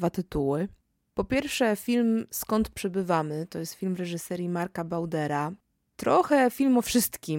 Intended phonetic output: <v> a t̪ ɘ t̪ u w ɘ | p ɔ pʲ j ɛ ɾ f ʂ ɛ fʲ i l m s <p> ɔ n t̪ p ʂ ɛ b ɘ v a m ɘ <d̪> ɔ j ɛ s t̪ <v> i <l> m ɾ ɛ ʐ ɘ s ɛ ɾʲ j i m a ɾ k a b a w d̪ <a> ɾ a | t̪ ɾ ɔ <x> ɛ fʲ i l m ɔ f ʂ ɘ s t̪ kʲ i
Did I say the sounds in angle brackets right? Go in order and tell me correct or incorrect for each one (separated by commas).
correct, incorrect, incorrect, incorrect, correct, incorrect, correct